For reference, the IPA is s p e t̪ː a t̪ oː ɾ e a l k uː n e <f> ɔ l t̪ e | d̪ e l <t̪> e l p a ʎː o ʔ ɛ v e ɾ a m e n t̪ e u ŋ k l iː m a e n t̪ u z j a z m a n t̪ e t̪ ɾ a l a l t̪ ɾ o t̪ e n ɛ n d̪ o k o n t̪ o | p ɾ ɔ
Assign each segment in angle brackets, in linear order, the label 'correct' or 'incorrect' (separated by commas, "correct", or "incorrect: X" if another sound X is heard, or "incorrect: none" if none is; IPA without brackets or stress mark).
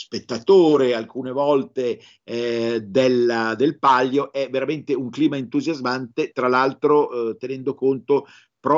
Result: incorrect: v, incorrect: d̪